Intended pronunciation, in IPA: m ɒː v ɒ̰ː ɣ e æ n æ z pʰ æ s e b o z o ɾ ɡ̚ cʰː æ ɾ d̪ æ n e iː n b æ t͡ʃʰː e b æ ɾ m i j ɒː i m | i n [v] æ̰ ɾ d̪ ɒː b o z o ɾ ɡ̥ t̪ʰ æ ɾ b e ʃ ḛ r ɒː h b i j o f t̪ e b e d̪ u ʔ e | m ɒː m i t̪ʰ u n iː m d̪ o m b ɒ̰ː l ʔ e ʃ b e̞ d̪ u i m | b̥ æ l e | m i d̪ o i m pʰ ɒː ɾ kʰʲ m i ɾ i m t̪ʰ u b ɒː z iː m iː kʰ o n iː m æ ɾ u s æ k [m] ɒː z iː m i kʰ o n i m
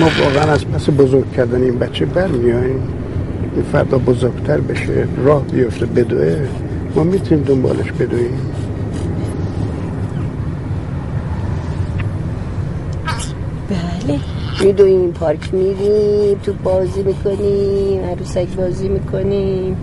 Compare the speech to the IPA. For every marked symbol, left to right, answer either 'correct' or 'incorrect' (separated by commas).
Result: incorrect, incorrect